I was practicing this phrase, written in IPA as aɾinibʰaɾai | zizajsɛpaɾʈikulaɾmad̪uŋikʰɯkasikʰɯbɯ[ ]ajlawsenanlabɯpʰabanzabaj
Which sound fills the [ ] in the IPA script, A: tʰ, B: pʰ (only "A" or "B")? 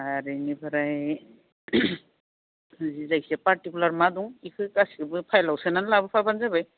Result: B